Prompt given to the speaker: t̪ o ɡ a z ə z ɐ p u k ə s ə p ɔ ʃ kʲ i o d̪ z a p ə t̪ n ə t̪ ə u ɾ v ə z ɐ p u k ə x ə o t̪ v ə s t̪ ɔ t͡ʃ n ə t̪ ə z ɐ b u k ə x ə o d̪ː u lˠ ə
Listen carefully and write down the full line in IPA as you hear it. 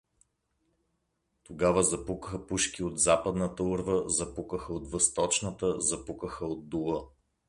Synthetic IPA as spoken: t̪ o ɡ a v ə z ɐ p u k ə x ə p u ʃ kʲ i o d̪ z a p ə d̪ n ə t̪ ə u ɾ v ə z ɐ p u k ə x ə o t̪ v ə s t̪ ɔ t͡ʃ n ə t̪ ə z ɐ p u k ə x ə o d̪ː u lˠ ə